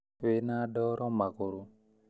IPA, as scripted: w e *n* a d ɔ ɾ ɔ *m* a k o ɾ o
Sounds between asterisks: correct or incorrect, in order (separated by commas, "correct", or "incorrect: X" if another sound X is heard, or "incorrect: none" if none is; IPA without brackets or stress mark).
correct, correct